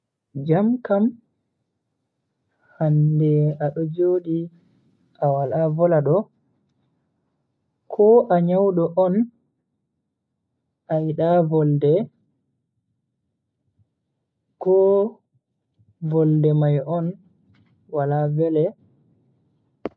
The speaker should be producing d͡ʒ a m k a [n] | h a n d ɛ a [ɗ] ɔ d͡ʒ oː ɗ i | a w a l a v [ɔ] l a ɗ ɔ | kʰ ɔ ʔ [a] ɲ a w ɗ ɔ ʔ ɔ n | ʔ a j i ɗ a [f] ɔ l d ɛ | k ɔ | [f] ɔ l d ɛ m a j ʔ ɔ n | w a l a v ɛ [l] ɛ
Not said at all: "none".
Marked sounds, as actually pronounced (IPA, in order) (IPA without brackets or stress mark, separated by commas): m, ɗ, ɔ, a, v, v, l